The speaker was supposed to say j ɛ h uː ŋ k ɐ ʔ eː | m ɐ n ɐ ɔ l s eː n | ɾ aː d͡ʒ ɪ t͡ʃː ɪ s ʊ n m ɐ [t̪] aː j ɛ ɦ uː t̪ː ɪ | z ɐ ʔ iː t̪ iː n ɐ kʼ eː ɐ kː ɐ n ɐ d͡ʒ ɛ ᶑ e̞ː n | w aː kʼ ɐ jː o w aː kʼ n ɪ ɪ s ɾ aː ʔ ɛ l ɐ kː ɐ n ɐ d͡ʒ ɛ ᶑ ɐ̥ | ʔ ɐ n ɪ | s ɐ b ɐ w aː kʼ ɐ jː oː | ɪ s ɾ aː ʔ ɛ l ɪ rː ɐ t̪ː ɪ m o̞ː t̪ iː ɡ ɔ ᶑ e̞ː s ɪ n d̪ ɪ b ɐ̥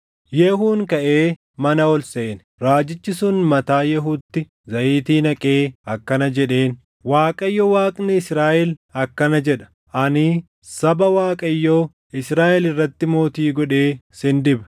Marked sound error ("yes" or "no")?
no